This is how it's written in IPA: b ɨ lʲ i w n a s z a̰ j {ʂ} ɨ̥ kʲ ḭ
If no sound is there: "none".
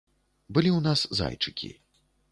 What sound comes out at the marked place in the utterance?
t͡ʂ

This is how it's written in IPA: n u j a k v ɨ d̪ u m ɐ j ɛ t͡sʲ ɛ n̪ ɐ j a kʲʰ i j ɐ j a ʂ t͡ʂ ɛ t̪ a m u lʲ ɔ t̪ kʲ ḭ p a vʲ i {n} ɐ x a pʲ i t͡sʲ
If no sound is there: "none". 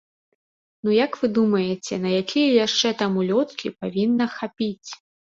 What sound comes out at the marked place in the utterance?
nː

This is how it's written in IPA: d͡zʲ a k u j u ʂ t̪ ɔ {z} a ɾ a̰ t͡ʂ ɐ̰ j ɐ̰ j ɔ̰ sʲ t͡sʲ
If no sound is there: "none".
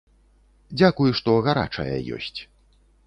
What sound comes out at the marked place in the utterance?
ɣ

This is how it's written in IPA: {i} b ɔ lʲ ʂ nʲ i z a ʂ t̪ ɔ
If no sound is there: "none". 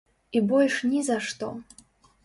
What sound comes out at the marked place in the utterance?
i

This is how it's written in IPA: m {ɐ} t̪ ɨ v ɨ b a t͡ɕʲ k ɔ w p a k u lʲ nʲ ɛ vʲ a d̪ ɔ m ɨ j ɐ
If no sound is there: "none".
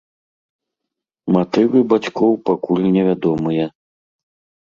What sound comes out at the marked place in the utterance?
a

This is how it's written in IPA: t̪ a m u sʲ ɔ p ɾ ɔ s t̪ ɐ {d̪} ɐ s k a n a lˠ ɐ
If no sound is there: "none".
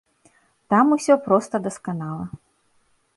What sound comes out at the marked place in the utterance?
d̪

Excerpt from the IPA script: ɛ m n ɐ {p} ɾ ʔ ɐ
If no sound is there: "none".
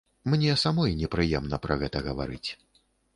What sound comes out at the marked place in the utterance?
p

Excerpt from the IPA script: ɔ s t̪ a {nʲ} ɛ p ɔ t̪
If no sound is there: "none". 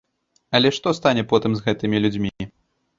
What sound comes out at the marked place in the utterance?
nʲ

